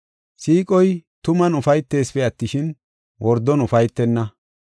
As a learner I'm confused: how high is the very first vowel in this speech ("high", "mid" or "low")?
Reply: high